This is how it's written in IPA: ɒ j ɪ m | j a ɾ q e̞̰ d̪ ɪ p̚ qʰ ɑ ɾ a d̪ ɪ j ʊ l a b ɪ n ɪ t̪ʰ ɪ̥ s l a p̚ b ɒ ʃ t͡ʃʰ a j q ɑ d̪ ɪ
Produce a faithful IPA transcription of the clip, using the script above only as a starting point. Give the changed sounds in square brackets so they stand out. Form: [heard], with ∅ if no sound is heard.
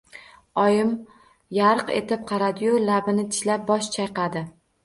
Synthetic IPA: ɒ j ɪ m | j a ɾ q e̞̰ [t̪] ɪ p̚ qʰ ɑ ɾ a d̪ ɪ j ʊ l a b ɪ n ɪ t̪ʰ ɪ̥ [ʃ] l a p̚ b ɒ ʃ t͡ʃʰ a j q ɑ d̪ ɪ